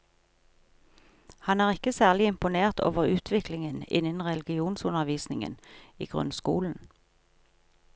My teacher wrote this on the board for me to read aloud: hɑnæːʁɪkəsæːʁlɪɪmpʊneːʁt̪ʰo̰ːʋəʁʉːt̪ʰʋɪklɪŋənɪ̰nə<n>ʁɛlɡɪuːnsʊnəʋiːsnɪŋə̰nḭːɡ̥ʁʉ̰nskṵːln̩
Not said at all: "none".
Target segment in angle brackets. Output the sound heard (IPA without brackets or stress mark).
n